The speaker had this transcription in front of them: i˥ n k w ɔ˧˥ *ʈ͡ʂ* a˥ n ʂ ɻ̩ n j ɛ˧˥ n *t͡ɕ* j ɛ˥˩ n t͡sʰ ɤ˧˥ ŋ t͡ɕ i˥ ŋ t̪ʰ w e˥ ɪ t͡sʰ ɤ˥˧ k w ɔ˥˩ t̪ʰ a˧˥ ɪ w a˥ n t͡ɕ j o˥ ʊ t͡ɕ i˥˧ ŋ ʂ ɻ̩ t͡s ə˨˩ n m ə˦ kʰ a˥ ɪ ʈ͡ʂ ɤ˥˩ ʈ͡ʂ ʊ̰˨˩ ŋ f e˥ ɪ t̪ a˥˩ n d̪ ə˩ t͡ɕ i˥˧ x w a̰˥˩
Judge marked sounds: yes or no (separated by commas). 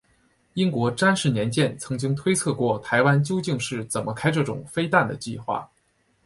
yes, yes